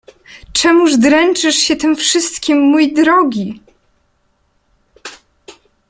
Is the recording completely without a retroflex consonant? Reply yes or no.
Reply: no